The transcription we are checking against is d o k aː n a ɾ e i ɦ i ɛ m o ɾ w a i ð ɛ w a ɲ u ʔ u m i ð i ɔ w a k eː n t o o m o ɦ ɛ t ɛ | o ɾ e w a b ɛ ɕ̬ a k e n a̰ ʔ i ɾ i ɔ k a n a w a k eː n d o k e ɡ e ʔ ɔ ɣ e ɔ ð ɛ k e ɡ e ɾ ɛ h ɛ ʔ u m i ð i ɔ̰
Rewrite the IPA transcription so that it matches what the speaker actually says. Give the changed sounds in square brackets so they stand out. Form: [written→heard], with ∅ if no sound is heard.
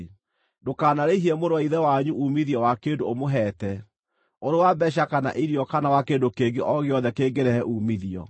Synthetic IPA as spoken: d o k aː n a ɾ e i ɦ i ɛ m o ɾ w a i ð ɛ w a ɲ u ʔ u m i ð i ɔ w a k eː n [t→d] o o m o ɦ ɛ t ɛ | o ɾ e w a b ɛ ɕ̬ a k [e→a] n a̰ ʔ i ɾ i ɔ k a n a w a k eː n d o k e ɡ e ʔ ɔ ɣ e ɔ ð ɛ k e ɡ e ɾ ɛ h ɛ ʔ u m i ð i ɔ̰

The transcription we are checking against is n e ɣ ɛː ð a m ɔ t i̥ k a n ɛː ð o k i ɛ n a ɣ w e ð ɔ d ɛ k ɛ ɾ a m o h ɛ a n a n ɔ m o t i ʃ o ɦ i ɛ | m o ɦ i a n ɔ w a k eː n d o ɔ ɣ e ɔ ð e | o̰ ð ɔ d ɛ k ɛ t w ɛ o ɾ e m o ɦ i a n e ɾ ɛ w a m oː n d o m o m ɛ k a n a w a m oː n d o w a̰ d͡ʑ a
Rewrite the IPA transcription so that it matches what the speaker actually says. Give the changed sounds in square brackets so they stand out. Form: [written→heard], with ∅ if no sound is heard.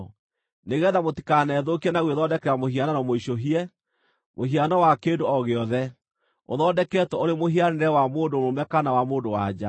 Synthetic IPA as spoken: n e ɣ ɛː ð a m [ɔ→o] t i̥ k a n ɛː ð o k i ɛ n a ɣ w e ð ɔ d ɛ k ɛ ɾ a m o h [ɛ→i] a n a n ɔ m o [t→∅] i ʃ o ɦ i ɛ | m o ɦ i a n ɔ w a k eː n d o ɔ ɣ e ɔ ð [e→ɛ] | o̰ ð ɔ d ɛ k ɛ t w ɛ o ɾ e m o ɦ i a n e ɾ ɛ w a m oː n d o m o m ɛ k a n a w a m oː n d o w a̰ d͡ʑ a

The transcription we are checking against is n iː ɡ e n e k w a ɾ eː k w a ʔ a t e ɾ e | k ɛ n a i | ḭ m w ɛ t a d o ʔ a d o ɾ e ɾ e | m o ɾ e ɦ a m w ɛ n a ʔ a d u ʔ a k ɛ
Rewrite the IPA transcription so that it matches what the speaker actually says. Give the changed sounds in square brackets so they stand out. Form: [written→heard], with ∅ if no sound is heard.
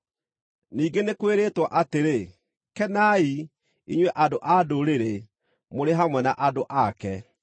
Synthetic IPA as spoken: n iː ɡ e n e k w [a→e] ɾ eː [k→t] w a ʔ a t e ɾ e | k ɛ n a i | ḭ [m→ɲ] w ɛ [t→ʔ] a d o ʔ a d o ɾ e ɾ e | m o ɾ e ɦ a m w ɛ n a ʔ a d [u→o] ʔ a k ɛ

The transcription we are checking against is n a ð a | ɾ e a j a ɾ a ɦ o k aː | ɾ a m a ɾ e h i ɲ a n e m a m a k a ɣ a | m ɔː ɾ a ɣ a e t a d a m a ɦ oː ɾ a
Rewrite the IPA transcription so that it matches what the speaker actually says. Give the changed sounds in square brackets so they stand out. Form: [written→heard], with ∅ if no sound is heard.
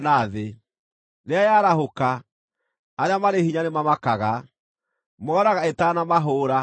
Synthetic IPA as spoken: n a ð [a→e] | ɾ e a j a ɾ a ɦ o k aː | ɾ a m a ɾ e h i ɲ a n e m a m a k a ɣ a | m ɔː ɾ a ɣ a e t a [d→n] a m a ɦ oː ɾ a

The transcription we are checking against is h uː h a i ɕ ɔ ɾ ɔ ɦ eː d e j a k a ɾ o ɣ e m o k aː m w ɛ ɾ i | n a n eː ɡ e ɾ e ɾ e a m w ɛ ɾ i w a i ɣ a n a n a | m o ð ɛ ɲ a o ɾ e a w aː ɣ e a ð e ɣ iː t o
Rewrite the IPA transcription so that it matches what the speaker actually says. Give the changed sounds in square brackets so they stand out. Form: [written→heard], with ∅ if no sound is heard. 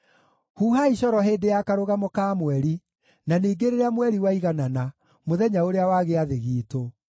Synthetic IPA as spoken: h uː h a i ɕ ɔ ɾ ɔ ɦ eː d e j a k a ɾ o ɣ [e→a] m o k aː m w ɛ ɾ i | n a n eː ɡ e ɾ e ɾ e a m w ɛ ɾ i w a i ɣ a n a n a | m o ð ɛ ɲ a o ɾ e a w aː ɣ e a ð e ɣ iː t o

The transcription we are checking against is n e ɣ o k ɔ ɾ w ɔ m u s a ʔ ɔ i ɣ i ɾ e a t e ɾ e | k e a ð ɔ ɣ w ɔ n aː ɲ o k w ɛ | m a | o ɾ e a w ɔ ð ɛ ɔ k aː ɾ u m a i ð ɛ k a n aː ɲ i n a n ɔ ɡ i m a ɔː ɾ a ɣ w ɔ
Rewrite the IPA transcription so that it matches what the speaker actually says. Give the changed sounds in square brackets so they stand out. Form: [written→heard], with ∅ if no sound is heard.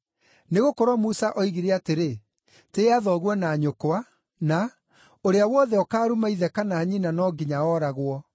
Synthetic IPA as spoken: n e ɣ o k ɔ ɾ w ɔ m u s a ʔ ɔ i ɣ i ɾ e a t e ɾ e | [k→t] e a ð ɔ ɣ w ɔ n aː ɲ o k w [ɛ→a] | [m→n] a | o ɾ e a w ɔ ð ɛ ɔ k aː ɾ u m a i ð ɛ k a n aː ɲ i n a n ɔ ɡ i [m→ɲ] a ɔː ɾ a ɣ w ɔ

